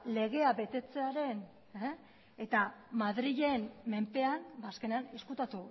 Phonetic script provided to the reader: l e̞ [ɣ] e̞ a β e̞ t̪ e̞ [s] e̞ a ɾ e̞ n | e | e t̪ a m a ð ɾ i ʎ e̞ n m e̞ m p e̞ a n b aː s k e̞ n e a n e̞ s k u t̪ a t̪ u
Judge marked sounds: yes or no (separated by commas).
yes, no